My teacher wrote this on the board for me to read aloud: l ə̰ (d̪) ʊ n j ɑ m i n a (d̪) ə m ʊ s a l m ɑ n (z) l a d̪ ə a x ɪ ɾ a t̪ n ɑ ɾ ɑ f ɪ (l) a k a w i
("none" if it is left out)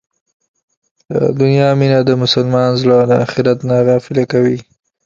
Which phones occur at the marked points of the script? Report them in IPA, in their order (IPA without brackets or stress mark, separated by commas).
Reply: d̪, d̪, z, l